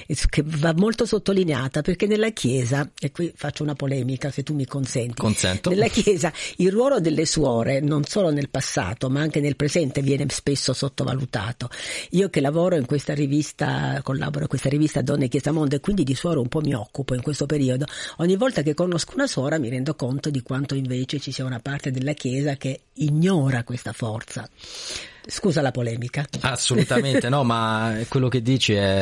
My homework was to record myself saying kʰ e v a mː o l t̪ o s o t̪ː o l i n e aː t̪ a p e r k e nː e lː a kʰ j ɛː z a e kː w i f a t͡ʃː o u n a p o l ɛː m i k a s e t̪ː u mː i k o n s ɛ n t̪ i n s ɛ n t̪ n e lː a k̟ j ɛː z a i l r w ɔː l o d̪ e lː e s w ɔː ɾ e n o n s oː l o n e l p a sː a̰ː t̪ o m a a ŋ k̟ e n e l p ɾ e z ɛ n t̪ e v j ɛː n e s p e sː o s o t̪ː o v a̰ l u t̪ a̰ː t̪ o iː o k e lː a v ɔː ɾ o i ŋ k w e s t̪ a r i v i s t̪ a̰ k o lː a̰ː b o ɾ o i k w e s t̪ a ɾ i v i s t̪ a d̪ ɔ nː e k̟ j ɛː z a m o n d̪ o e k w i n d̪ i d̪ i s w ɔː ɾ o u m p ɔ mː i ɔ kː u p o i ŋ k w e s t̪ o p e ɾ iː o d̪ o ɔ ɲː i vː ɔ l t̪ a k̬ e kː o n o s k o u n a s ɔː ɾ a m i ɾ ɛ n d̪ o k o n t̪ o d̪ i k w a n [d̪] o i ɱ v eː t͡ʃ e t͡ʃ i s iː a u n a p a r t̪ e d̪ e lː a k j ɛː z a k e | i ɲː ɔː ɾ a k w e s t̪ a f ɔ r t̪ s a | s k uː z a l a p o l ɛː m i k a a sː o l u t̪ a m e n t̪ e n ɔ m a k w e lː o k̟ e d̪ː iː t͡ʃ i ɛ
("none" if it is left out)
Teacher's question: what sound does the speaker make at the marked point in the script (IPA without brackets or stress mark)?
t̪